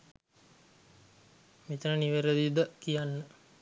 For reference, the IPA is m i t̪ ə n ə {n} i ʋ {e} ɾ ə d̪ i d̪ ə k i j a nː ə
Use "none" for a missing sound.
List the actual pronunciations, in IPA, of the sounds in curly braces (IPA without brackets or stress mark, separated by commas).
n, e